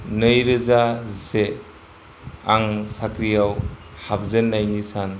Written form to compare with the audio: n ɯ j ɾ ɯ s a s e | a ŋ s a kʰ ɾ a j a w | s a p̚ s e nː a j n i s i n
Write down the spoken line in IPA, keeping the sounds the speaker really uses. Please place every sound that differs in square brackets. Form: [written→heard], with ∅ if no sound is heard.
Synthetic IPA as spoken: n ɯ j ɾ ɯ [s→z] a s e | a ŋ s a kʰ ɾ [a→i] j a w | [s→h] a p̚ [s→z] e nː a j n i s [i→a] n